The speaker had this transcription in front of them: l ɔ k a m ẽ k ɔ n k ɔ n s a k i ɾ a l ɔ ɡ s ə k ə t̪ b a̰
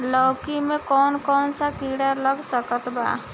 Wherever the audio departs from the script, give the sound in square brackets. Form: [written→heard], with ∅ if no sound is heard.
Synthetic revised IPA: l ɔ k [a→i] m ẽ k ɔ n k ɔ n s a k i [ɾ→ɽ] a l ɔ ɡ s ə k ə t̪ b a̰